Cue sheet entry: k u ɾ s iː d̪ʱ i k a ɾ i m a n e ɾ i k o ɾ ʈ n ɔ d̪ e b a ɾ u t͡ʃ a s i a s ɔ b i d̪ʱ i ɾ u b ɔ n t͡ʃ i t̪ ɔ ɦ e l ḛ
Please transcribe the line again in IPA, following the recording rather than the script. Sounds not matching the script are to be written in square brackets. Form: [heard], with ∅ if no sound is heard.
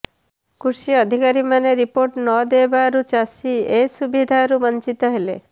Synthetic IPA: k u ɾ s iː d̪ʱ i k a ɾ i m a n e ɾ i [p] o ɾ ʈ n ɔ d̪ e b a ɾ u t͡ʃ a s i [e] s [u] b i d̪ʱ [a] ɾ u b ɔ n t͡ʃ i t̪ ɔ ɦ e l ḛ